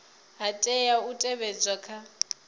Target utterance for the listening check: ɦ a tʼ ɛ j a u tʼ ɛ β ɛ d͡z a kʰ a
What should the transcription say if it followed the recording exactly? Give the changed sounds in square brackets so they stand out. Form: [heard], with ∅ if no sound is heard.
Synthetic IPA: ɦ a tʼ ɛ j a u tʼ ɛ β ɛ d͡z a kʰ a